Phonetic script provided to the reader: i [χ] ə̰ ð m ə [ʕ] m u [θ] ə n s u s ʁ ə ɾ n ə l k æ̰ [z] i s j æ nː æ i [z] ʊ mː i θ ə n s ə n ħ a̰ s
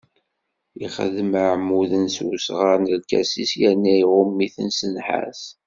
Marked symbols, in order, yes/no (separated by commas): yes, yes, no, no, no